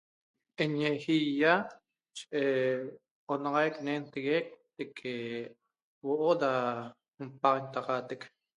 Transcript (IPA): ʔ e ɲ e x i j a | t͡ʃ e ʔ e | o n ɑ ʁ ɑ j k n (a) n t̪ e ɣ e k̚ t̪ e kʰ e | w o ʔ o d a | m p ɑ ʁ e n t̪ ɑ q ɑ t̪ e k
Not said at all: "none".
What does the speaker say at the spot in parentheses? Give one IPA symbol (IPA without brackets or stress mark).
e